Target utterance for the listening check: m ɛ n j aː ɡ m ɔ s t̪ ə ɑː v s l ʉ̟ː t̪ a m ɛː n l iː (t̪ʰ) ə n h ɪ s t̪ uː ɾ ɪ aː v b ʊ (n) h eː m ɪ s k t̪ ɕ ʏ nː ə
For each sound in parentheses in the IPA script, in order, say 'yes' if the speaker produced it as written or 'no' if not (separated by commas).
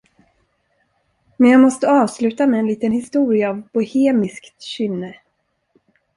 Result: no, no